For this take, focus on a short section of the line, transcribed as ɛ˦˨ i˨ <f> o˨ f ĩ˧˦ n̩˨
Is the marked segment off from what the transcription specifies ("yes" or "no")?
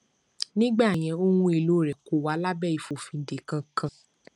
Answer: no